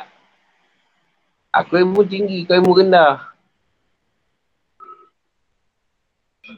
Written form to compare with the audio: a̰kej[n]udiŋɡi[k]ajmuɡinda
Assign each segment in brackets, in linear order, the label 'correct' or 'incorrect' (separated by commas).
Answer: incorrect, correct